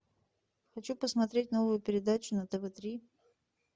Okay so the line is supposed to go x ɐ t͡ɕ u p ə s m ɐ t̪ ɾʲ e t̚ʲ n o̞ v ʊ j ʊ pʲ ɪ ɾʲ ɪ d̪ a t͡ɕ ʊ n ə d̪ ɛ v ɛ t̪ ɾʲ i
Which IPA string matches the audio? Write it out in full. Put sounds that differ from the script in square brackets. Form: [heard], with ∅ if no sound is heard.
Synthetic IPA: x ɐ t͡ɕ u p ə s m ɐ t̪ ɾʲ e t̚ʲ n o̞ v ʊ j ʊ pʲ ɪ ɾʲ ɪ d̪ a t͡ɕ ʊ n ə [t̪] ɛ v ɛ t̪ ɾʲ i